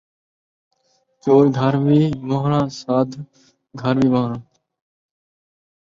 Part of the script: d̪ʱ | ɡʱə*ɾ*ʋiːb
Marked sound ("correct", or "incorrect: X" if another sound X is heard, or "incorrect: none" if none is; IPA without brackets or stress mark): correct